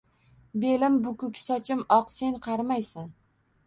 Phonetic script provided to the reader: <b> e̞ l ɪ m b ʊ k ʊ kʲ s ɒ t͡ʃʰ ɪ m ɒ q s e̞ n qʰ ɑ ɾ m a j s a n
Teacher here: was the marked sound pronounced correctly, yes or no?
yes